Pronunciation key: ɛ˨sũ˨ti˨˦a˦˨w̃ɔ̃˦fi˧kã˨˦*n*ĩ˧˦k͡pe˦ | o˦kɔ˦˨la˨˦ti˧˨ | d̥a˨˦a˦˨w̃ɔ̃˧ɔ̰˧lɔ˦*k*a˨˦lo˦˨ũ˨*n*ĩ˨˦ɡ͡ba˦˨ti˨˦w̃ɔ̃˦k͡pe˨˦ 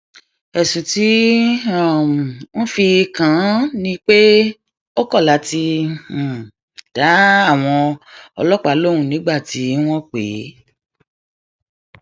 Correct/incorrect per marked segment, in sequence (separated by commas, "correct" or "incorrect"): correct, incorrect, correct